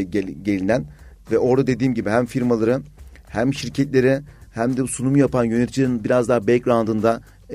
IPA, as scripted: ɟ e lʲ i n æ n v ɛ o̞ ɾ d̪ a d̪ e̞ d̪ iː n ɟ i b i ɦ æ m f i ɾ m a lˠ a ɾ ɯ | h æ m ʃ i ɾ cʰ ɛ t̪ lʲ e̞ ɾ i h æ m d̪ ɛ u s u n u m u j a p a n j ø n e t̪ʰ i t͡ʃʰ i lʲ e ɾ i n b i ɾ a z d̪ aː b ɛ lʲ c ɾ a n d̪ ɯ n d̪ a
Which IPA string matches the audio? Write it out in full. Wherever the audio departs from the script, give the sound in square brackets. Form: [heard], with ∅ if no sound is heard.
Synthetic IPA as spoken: ɟ e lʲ i n æ n v ɛ o̞ ɾ d̪ a d̪ e̞ d̪ iː [m] ɟ i b i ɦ æ m f i ɾ m a lˠ a ɾ ɯ | h æ m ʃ i ɾ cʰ ɛ t̪ lʲ e̞ ɾ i h æ m d̪ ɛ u s u n u m u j a p a n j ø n e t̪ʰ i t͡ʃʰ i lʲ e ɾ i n b i ɾ a z d̪ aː b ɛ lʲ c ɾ a n d̪ ɯ n d̪ a